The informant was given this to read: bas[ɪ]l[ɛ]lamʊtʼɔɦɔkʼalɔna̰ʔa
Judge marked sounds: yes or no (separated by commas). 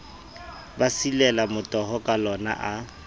no, yes